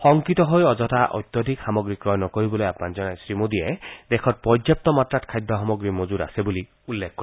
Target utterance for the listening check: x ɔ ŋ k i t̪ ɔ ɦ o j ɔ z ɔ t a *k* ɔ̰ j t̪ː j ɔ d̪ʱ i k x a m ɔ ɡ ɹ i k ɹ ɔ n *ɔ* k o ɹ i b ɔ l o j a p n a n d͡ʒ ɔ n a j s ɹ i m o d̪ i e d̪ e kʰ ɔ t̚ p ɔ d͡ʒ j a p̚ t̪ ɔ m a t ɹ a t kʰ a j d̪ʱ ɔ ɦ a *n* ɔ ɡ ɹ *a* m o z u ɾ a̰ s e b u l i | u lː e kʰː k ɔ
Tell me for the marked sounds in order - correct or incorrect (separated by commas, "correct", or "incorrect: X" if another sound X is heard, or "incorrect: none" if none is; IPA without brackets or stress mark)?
incorrect: ʔ, correct, incorrect: m, incorrect: i